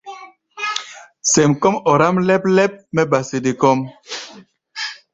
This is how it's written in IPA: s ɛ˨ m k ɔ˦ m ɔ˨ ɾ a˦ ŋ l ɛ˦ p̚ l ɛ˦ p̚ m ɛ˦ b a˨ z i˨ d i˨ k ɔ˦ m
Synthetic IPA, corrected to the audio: s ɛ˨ m k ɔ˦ m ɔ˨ ɾ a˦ m l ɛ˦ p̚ l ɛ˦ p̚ m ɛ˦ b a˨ s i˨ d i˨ k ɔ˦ m